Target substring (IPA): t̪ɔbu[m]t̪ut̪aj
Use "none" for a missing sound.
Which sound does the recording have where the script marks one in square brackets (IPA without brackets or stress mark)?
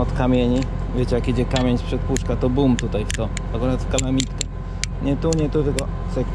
m